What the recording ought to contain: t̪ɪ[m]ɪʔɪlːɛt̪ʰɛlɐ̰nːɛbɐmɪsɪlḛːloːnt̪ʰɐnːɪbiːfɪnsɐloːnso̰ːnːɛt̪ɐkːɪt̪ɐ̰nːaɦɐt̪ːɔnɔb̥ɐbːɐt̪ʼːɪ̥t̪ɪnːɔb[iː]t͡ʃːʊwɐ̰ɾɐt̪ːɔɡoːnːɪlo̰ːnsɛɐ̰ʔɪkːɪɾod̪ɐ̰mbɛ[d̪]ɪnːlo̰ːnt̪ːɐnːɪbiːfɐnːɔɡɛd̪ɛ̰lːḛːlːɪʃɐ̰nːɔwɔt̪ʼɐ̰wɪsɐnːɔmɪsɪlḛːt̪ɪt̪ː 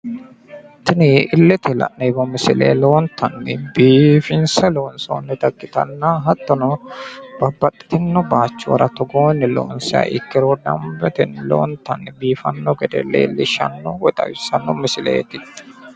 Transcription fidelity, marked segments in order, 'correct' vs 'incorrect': incorrect: n, incorrect: aː, incorrect: t̪

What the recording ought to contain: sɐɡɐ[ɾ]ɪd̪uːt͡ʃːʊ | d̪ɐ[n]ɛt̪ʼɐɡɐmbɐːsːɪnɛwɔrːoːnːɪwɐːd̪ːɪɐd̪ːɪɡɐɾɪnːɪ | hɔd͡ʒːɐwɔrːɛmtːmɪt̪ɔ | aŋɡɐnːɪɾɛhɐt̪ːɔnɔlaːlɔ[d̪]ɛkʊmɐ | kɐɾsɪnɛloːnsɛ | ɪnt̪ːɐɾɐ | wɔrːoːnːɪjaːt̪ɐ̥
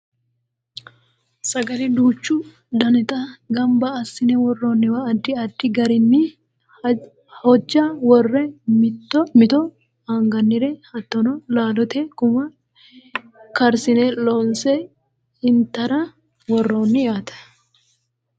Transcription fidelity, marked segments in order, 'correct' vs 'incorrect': incorrect: l, correct, incorrect: t̪

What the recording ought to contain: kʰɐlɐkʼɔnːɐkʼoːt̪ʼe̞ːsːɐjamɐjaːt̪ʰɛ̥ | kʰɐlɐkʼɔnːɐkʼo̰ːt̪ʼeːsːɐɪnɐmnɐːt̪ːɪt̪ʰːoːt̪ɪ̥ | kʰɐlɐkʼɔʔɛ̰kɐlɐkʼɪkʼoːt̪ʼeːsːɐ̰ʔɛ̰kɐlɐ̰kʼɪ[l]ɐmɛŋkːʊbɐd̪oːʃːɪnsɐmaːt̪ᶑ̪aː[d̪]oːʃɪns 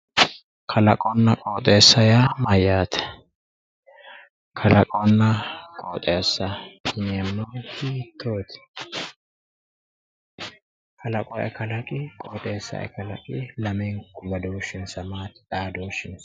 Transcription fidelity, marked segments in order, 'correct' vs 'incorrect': correct, correct

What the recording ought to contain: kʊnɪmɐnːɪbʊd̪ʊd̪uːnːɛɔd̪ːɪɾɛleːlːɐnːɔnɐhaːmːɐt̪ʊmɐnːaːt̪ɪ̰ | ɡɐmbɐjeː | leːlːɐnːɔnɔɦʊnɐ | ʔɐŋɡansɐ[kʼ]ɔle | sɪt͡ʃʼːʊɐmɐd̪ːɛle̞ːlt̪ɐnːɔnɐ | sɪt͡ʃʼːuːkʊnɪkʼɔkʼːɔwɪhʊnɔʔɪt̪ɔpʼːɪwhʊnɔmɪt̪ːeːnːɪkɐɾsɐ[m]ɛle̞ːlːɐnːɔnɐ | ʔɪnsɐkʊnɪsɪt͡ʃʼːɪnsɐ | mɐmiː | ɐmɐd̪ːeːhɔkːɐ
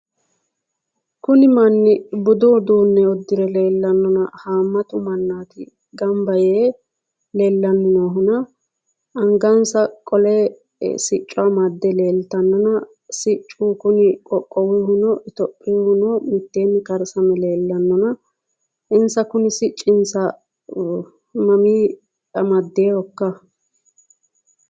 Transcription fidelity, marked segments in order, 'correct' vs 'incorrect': correct, correct

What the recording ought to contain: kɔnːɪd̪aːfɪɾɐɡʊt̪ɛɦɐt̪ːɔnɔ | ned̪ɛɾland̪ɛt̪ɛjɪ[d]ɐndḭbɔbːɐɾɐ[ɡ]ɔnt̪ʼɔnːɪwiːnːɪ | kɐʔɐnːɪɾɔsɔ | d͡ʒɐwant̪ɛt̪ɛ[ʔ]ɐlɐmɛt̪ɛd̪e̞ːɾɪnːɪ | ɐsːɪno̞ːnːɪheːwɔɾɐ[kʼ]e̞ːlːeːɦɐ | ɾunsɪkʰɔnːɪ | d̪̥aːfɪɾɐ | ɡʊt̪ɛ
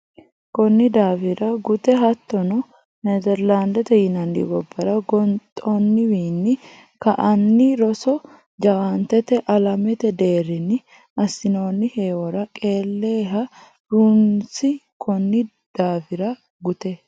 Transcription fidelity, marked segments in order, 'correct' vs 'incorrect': incorrect: n, correct, correct, correct

